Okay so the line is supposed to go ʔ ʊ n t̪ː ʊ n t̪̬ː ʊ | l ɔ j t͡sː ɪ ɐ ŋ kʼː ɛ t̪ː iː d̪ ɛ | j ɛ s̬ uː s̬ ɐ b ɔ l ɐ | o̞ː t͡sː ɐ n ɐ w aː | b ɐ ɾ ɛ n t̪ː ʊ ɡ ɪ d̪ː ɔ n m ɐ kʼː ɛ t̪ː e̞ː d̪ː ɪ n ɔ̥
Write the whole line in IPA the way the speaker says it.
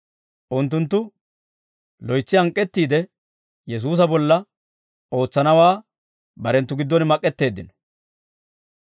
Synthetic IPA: ʔ ʊ n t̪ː ʊ n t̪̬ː ʊ | l ɔ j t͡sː ɪ ɐ ŋ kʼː ɛ t̪ː iː d̪ ɛ | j ɛ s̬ uː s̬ ɐ b ɔ lː ɐ | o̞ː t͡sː ɐ n ɐ w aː | b ɐ ɾ ɛ n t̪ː ʊ ɡ ɪ d̪ː ɔ n m ɐ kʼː ɛ t̪ː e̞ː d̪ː ɪ n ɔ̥